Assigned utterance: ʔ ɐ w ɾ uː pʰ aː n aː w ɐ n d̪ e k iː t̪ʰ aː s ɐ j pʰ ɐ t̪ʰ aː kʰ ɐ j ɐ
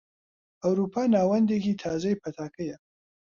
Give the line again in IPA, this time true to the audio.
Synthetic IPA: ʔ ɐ w ɾ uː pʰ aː n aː w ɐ n d̪ e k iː t̪ʰ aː z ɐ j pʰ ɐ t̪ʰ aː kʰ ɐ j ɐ